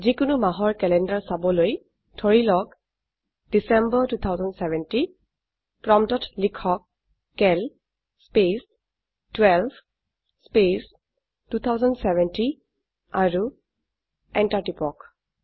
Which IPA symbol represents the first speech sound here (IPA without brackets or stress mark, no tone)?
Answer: z